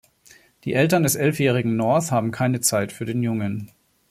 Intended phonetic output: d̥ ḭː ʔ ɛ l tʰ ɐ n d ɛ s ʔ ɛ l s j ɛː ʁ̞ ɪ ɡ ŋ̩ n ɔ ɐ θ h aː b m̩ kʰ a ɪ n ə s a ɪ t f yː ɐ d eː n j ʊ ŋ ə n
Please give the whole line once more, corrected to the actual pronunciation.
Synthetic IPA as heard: d̥ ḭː ʔ ɛ l t ɐ n d ɛ s ʔ ɛ l f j ɛː ʁ̞ ɪ ɡ ŋ̩ n ɔ ɐ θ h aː b m̩ kʰ a ɪ n ə t͡s a ɪ t f yː ɐ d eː n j ʊ ŋ ə n